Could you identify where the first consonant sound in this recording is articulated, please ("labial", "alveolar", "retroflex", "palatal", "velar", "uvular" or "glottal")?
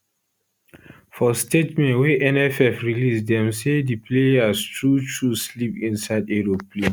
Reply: labial